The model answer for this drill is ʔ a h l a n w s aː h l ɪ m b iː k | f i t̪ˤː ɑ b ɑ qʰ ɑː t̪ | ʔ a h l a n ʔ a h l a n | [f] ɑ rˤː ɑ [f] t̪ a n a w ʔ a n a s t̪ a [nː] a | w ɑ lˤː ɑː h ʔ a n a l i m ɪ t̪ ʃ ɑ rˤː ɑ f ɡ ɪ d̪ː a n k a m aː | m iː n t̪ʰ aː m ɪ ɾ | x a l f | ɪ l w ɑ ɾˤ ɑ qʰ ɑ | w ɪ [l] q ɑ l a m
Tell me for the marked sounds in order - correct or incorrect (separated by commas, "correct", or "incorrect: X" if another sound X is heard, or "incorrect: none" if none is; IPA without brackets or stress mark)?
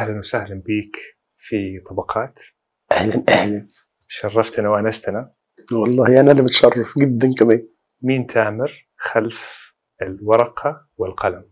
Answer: incorrect: ʃ, correct, incorrect: n, correct